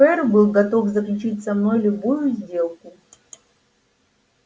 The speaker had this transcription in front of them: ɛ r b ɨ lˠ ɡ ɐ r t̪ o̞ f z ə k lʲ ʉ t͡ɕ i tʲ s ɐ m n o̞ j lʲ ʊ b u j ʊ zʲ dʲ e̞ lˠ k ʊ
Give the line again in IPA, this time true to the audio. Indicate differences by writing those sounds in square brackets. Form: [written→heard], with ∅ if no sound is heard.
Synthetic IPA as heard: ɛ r b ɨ lˠ ɡ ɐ [r→∅] t̪ o̞ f z ə k lʲ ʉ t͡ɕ i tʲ s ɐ m n o̞ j lʲ ʊ b u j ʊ zʲ dʲ e̞ lˠ k ʊ